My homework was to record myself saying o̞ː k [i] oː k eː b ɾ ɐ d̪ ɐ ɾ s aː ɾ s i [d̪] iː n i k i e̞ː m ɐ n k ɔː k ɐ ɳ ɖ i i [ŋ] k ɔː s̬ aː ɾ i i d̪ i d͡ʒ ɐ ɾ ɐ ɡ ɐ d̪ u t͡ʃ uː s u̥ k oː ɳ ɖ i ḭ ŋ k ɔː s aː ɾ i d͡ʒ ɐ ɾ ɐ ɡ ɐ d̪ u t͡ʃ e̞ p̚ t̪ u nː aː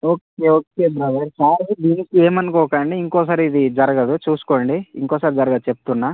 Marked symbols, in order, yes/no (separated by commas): no, yes, yes